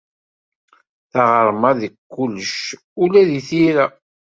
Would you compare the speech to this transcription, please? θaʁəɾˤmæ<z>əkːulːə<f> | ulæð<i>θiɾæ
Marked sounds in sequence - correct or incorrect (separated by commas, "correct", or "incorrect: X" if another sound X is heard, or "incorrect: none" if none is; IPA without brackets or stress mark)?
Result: incorrect: ð, incorrect: ʃ, correct